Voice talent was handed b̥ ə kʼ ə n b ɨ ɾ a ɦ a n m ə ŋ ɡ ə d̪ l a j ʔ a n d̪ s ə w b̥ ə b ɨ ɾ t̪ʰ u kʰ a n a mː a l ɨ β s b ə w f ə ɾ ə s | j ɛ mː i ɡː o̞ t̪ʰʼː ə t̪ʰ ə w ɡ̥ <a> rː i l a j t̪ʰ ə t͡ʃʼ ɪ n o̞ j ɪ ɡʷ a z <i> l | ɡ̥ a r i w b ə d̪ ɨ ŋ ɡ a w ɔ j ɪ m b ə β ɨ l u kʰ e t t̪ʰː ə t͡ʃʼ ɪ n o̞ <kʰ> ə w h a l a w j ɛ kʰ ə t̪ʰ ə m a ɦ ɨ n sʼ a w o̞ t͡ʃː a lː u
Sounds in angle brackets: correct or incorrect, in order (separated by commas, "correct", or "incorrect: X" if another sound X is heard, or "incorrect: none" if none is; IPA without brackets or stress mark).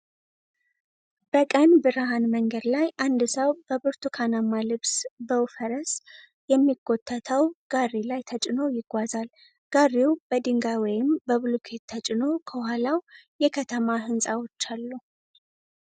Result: correct, incorrect: a, correct